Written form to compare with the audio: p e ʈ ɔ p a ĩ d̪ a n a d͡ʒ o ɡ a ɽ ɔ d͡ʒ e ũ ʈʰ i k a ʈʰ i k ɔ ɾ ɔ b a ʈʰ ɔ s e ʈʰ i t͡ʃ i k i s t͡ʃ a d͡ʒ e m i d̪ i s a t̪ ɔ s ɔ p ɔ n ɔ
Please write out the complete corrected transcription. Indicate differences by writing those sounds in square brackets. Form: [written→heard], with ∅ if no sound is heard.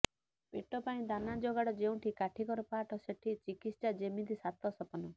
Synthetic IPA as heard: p e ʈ ɔ p a ĩ d̪ a n a d͡ʒ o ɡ a ɽ ɔ d͡ʒ e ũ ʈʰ i k a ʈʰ i k ɔ ɾ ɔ [b→p] a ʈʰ ɔ s e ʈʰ i t͡ʃ i k i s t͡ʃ a d͡ʒ e m i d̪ i s a t̪ ɔ s ɔ p ɔ n ɔ